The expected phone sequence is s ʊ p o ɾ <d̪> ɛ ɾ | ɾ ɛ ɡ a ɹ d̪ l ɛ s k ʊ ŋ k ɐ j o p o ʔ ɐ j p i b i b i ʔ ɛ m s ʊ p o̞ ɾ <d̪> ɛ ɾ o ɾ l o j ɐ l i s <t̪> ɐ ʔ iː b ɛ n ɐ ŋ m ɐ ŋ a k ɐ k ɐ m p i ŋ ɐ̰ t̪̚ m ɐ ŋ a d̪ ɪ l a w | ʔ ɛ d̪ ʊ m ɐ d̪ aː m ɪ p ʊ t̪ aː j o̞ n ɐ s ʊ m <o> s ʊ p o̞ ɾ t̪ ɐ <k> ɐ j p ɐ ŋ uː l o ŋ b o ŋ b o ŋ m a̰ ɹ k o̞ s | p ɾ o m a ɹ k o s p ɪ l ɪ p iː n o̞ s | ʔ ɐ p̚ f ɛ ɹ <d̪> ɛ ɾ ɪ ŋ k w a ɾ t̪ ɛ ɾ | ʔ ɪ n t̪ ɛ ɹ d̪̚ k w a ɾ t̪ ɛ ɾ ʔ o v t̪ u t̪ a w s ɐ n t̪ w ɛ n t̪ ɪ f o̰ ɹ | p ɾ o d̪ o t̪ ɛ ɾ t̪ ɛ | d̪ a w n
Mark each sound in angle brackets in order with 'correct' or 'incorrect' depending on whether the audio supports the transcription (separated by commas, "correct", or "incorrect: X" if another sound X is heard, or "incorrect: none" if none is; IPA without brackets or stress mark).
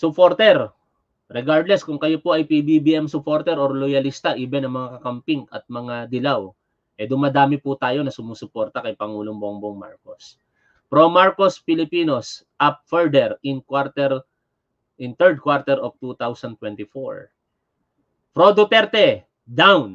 incorrect: t̪, incorrect: t̪, correct, incorrect: u, correct, correct